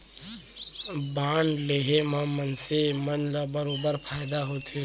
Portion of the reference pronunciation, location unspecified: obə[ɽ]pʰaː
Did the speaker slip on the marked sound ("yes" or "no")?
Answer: yes